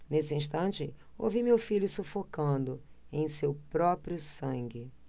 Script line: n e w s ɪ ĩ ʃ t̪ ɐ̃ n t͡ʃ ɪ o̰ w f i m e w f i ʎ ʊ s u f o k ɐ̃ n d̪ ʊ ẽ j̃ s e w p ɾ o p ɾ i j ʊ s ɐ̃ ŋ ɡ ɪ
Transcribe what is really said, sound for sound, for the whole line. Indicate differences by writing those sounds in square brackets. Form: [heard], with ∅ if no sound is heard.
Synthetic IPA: n e [∅] s ɪ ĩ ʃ t̪ ɐ̃ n t͡ʃ ɪ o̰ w [v] i m e w f i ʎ ʊ s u f o k ɐ̃ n d̪ ʊ ẽ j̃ s e w p ɾ [ɔ] p ɾ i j ʊ s ɐ̃ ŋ ɡ ɪ